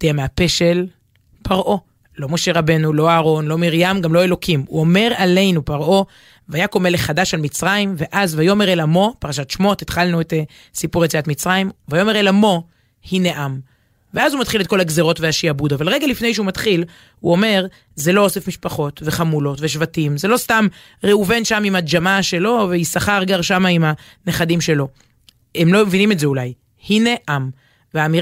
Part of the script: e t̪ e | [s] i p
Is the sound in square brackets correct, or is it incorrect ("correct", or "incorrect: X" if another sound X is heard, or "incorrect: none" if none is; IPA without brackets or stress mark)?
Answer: correct